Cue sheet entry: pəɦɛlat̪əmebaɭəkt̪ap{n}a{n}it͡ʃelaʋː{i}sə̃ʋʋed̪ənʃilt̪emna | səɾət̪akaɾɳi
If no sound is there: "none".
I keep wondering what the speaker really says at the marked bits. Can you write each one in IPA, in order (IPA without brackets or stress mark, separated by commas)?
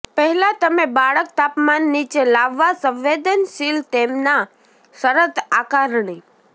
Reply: m, nː, a